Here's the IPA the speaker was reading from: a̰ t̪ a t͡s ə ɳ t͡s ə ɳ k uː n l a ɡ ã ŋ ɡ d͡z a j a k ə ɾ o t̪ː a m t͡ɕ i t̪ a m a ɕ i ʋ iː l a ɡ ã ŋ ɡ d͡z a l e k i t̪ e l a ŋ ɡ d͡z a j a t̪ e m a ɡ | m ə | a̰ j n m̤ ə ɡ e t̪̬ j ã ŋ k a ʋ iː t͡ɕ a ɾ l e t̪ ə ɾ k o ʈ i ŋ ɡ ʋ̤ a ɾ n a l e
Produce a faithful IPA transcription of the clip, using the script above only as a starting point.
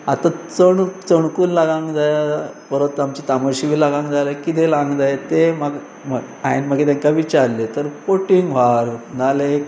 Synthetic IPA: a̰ t̪ a t͡s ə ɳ t͡s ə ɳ k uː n l a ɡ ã ŋ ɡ d͡z a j a p ə ɾ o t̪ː a m t͡ɕ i t̪ a m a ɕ i ʋ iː l a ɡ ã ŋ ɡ d͡z a l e k i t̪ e l a ŋ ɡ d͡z a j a t̪ e m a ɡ | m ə | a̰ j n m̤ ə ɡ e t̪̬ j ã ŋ k a ʋ i t͡ɕ a ɾ l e t̪ ə ɾ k o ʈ i ŋ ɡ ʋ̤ a ɾ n a l e